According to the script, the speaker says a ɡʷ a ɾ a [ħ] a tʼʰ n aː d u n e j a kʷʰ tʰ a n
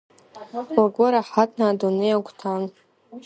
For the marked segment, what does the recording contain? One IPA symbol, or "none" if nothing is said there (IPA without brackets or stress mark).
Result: ħ